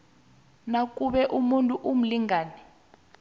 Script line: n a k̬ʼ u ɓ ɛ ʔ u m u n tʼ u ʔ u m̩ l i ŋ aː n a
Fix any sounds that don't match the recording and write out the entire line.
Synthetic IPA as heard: n a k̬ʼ u ɓ ɛ ʔ u m u n tʼ u ʔ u m̩ l i ŋ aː n ɛ